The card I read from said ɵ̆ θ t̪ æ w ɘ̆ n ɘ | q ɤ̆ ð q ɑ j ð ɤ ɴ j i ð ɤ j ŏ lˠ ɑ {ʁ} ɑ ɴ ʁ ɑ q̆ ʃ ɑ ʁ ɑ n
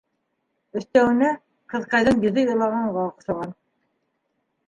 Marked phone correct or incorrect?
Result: correct